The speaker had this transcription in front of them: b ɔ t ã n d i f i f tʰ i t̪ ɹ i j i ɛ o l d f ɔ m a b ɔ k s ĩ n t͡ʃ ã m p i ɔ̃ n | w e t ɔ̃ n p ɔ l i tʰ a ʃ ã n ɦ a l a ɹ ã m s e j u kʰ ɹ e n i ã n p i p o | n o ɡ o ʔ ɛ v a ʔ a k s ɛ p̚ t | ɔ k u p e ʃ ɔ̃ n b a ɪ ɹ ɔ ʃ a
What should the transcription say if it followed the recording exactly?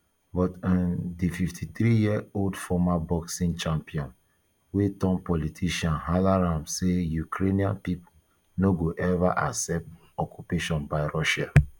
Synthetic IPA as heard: b ɔ t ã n d i f i f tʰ i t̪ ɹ i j i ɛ o l d f ɔ m a b ɔ k s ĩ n t͡ʃ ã m p i ɔ̃ n | w e t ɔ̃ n p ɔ l i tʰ i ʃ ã n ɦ a l a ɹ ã m s e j u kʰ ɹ e n i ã n p i p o | n o ɡ o ʔ ɛ v a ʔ a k s ɛ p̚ t | ɔ k u p e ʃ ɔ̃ n b a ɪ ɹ ɔ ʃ a